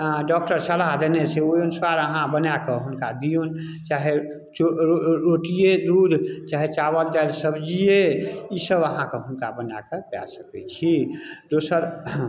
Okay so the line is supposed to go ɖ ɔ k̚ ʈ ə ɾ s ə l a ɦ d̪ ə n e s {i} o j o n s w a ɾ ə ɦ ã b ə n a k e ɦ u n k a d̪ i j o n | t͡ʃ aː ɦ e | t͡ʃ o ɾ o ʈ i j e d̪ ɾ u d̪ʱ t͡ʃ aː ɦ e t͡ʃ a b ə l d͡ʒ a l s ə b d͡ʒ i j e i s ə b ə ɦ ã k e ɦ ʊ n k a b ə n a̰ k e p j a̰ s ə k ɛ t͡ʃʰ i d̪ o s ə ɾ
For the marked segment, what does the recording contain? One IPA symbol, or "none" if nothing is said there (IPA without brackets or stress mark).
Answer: e